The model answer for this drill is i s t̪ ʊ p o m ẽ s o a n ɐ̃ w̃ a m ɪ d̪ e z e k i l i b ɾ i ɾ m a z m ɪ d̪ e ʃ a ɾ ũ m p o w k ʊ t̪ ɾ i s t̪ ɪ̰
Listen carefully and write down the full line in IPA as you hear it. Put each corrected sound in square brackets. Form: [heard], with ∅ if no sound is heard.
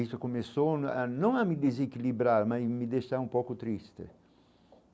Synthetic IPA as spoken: i s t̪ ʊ [k] o m [e] s o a n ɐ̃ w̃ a m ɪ d̪ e z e k i l i b ɾ [a] ɾ m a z m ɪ d̪ e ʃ a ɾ ũ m p o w k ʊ t̪ ɾ i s t̪ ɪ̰